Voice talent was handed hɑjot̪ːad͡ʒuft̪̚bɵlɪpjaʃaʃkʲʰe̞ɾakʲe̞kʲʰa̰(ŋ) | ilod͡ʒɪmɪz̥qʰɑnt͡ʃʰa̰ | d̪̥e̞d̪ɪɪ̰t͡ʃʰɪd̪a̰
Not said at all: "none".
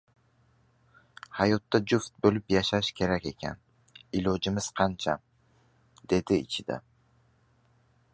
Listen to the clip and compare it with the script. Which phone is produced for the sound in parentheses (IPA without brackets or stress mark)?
n